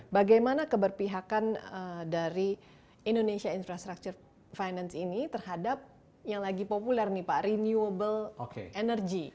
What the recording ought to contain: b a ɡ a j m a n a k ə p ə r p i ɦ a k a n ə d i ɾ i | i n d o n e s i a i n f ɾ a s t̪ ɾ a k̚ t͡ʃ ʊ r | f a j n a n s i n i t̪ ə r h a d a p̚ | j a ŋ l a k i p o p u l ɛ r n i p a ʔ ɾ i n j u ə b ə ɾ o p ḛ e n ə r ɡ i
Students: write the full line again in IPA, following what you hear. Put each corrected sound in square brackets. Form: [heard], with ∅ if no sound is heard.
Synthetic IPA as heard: b a ɡ a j m a n a k ə [b] ə r p i ɦ a k a n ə d [a] ɾ i | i n d o n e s i a i n f ɾ a s t̪ ɾ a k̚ t͡ʃ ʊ r | f a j n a n s i n i t̪ ə r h a d a p̚ | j a ŋ l a [ɡ] i p o p u l ɛ r n i p a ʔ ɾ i n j u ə b ə [l] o [k] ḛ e n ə r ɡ i